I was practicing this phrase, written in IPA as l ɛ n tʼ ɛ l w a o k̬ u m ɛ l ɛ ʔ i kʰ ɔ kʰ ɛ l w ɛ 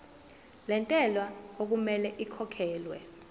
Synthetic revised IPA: l ɛ n tʼ ɛ l w a o k̬ u m ɛ l ɛ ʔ i kʰ ɔ kʰ ɛː l w ɛ